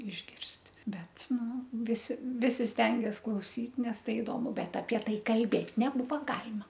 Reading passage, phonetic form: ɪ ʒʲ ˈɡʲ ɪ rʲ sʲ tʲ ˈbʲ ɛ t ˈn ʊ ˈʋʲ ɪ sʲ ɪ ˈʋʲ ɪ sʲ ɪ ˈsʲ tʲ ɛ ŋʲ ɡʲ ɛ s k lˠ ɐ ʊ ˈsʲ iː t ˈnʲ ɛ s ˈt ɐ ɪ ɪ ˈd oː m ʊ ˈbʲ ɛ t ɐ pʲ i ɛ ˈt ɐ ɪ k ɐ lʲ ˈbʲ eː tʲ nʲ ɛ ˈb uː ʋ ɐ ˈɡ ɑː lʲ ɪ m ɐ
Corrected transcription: ɪ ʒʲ ˈɡʲ ɪ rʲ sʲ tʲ ˈbʲ ɛ t ˈn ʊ ˈʋʲ ɪ sʲ ɪ ˈʋʲ ɪ sʲ ɪ ˈsʲ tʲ ɛ ŋʲ ɡʲ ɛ s k lˠ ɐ ʊ ˈsʲ iː t ˈnʲ ɛ s ˈt ɐ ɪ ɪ ˈd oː m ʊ ˈbʲ ɛ t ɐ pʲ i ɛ ˈt ɐ ɪ k ɐ lʲ ˈbʲ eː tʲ nʲ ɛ ˈb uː ʋ ɐ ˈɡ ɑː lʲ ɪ m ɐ